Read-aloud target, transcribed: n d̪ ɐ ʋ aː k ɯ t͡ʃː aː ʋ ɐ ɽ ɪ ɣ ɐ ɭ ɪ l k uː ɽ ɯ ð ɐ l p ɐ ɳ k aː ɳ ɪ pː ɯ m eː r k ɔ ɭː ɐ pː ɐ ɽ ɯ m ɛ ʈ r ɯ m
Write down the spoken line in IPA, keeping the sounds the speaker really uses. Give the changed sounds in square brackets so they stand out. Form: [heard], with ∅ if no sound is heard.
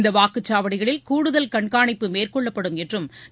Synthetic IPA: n d̪ ɐ ʋ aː k ɯ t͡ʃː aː ʋ ɐ ɽ ɪ ɣ ɐ ɭ ɪ l k uː ɽ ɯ ð ɐ l [k] ɐ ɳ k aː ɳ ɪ pː ɯ m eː r k ɔ ɭː ɐ pː ɐ ɽ ɯ m ɛ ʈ r ɯ m